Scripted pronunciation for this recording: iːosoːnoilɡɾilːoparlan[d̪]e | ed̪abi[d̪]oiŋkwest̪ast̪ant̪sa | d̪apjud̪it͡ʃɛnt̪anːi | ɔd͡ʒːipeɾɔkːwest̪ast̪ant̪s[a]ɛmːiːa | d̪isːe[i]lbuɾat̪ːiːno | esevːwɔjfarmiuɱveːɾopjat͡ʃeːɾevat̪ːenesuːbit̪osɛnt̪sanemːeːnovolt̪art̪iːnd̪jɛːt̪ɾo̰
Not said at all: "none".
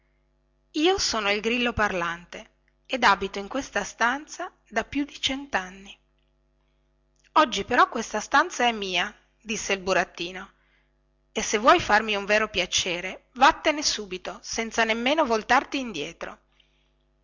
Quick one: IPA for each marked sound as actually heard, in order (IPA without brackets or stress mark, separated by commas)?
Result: t̪, t̪, a, i